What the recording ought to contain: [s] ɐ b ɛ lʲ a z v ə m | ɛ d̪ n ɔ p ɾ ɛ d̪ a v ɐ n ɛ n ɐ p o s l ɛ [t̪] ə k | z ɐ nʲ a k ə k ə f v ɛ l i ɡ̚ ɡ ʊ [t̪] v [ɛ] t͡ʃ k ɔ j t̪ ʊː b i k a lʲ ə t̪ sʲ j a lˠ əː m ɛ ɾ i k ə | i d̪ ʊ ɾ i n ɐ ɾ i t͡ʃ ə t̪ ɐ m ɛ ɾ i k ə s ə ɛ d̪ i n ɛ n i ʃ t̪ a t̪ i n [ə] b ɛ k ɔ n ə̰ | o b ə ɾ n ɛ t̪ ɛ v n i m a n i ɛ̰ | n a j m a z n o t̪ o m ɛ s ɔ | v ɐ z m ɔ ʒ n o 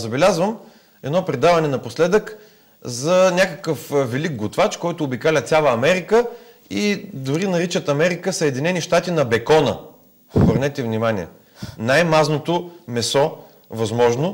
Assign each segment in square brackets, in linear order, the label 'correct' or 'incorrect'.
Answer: incorrect, incorrect, correct, incorrect, incorrect

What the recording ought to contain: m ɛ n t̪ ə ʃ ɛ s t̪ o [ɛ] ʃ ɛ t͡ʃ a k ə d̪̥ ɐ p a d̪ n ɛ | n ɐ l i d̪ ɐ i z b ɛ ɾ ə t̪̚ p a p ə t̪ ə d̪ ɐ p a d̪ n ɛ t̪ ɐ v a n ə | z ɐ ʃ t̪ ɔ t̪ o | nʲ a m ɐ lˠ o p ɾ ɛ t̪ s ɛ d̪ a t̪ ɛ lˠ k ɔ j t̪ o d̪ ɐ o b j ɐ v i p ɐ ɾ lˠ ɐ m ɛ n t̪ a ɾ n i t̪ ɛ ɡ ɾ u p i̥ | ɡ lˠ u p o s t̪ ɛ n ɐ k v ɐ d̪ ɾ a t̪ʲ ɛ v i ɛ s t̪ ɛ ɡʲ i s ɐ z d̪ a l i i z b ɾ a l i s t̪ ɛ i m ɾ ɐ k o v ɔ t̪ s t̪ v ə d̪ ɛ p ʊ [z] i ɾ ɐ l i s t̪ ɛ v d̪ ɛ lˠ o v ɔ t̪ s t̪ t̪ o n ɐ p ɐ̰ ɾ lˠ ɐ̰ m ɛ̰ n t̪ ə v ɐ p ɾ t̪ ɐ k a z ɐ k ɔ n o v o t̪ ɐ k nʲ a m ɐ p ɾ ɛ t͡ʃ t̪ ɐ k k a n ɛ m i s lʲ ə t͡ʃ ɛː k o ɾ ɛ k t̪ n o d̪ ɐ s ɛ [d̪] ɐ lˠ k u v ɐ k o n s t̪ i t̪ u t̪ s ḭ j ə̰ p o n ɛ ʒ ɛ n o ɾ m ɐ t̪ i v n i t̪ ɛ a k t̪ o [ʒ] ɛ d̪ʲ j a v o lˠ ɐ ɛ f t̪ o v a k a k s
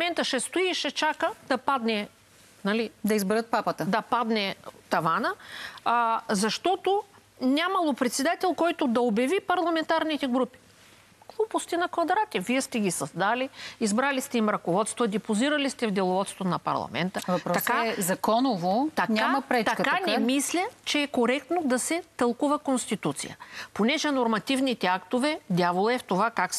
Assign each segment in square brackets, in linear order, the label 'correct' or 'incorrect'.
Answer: incorrect, correct, incorrect, incorrect

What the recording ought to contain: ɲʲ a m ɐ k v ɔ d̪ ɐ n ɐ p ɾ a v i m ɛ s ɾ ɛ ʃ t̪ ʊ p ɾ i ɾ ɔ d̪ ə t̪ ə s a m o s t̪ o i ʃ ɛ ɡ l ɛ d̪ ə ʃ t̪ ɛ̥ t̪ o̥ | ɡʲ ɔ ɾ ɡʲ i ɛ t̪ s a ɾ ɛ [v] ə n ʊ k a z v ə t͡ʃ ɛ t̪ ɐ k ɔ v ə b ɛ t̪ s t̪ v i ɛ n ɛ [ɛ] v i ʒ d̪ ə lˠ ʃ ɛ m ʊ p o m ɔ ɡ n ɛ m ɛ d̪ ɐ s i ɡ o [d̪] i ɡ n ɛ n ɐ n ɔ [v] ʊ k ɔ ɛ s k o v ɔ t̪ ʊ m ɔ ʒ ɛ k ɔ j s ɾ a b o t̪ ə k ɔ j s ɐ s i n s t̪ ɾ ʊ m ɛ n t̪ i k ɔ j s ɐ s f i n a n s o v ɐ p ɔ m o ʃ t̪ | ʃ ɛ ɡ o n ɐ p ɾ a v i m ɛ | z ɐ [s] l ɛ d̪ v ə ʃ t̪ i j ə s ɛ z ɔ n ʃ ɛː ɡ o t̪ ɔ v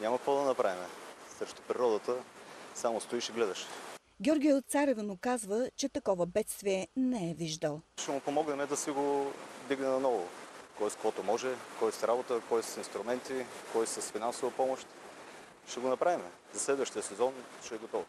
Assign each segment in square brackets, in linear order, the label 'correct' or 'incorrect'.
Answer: correct, correct, correct, correct, correct

